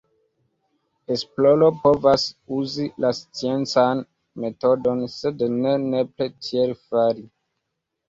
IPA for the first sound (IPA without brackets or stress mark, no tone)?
e